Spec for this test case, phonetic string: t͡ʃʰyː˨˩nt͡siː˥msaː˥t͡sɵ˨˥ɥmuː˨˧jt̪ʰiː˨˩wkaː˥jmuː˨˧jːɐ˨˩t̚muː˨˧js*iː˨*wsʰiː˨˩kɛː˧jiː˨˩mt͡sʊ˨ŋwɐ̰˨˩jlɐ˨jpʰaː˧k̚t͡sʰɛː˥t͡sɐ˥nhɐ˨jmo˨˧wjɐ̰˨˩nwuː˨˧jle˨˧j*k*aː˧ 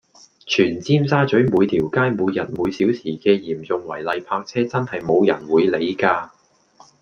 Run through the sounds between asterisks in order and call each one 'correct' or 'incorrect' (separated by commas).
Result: incorrect, correct